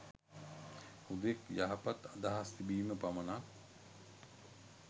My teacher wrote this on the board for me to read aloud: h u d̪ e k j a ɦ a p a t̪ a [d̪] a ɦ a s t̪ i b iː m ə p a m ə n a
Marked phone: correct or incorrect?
correct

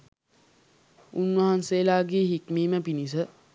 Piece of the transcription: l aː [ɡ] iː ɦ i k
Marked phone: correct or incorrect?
correct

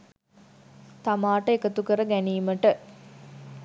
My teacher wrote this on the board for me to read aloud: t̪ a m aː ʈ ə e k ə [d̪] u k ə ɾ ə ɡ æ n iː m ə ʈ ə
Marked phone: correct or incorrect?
incorrect: t̪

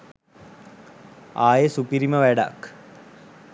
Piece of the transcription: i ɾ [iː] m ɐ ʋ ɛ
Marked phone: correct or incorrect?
incorrect: i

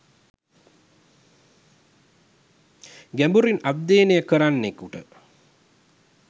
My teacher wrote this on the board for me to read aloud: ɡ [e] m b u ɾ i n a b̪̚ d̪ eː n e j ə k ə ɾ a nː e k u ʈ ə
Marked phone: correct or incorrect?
incorrect: æ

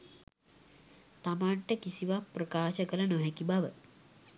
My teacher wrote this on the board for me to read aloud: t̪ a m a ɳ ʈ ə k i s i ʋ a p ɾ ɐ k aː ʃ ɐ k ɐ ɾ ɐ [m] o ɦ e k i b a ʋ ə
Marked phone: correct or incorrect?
incorrect: n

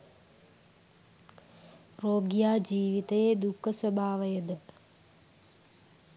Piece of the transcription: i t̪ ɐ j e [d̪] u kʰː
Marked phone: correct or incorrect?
correct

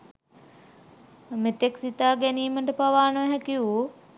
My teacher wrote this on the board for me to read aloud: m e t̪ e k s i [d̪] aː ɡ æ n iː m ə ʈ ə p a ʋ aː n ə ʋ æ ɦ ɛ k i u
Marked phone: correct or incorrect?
incorrect: t̪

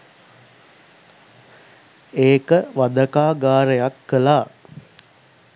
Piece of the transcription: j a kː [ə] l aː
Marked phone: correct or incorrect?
correct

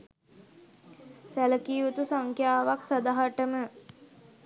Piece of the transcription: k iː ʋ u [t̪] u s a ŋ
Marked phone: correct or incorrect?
correct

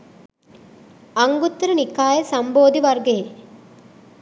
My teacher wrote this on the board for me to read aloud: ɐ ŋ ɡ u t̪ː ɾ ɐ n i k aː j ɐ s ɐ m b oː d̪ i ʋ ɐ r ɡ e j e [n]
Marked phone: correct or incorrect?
incorrect: none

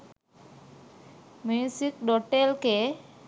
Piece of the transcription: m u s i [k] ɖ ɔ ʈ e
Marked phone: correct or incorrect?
correct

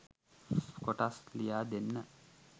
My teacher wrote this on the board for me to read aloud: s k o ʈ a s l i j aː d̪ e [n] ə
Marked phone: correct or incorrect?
incorrect: nː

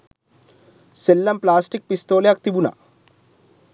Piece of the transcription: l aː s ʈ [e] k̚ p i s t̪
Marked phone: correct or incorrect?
incorrect: i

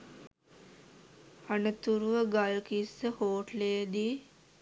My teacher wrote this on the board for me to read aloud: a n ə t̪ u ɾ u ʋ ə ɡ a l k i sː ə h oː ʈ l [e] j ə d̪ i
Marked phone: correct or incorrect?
correct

